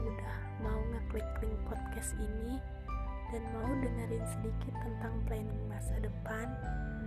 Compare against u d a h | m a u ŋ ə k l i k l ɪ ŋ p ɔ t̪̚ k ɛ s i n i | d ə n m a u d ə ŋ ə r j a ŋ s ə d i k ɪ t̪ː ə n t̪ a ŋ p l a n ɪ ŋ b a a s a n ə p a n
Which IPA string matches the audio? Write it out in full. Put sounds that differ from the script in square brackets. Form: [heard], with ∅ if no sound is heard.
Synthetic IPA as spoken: u d a h | m a u ŋ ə k l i k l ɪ ŋ p ɔ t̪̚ k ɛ s i n i | d [a] n m a u d ə ŋ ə r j a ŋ s ə d i k ɪ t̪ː ə n t̪ a ŋ p l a n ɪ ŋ b a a s a [d] ə p a n